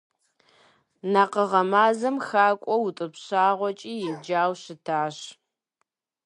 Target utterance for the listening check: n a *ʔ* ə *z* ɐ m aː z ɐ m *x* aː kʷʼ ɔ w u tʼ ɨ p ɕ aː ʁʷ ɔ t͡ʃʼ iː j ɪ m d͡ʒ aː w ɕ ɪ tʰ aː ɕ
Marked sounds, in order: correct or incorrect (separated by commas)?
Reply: incorrect, incorrect, correct